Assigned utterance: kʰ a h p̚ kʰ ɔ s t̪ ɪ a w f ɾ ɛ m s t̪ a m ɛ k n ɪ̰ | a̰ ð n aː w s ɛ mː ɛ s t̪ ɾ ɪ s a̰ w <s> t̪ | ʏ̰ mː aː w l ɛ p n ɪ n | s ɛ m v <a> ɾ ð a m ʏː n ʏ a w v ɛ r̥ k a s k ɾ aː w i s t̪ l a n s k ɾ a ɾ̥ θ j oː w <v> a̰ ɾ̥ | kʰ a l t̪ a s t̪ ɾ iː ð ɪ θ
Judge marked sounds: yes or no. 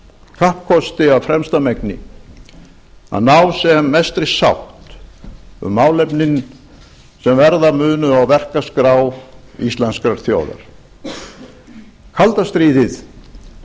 no, no, no

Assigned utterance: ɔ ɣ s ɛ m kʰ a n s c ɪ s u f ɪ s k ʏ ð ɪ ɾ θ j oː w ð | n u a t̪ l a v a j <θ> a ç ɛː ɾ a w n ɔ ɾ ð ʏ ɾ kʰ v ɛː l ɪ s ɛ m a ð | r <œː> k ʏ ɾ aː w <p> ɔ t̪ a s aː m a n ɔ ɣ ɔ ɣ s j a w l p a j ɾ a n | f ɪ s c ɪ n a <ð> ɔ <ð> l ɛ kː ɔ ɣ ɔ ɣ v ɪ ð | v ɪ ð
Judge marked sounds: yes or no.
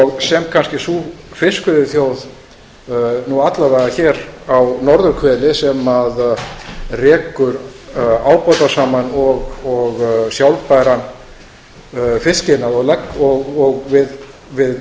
no, no, yes, yes, no

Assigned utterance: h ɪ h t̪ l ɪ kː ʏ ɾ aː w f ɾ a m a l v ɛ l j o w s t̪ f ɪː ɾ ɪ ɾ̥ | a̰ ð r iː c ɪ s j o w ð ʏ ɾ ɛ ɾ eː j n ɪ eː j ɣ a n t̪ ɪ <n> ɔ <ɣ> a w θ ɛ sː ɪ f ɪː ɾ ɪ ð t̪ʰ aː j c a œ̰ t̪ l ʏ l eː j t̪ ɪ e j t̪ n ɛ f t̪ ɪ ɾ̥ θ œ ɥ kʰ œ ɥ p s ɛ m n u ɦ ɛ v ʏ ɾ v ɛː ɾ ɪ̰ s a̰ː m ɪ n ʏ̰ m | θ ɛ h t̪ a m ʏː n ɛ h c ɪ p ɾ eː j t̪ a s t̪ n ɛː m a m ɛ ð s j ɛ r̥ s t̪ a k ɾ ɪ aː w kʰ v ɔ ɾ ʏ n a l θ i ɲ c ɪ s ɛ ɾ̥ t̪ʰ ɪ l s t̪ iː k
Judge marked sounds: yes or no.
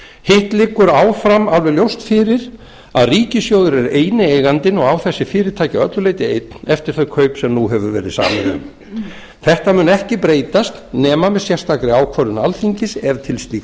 yes, yes

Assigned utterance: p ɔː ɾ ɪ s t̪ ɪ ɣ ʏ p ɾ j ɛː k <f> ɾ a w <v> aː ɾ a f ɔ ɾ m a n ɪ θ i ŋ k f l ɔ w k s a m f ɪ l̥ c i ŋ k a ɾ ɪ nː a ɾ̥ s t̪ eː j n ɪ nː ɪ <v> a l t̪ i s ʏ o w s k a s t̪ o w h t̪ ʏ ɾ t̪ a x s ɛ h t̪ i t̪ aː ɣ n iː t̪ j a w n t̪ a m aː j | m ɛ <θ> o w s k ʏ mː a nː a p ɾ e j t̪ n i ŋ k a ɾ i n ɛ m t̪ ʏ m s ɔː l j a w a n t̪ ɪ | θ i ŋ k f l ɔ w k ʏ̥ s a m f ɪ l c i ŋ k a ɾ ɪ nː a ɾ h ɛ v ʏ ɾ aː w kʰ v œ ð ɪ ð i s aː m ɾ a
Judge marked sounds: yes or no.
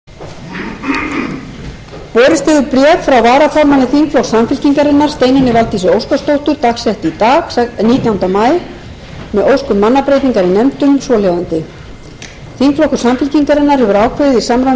yes, yes, yes, no

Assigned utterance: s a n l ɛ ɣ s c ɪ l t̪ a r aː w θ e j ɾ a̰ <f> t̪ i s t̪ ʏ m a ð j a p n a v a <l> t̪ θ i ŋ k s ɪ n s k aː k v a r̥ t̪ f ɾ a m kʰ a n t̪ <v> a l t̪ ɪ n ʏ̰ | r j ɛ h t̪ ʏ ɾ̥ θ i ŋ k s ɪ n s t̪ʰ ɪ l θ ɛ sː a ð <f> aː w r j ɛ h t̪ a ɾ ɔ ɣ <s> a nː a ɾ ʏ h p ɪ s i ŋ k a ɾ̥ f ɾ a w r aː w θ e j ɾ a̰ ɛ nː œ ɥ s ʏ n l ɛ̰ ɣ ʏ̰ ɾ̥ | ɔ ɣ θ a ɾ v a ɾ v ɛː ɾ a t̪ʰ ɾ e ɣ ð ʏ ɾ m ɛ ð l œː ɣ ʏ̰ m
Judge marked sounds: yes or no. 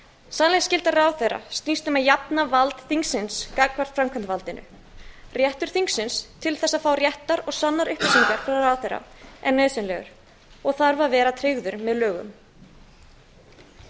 no, yes, yes, yes, yes

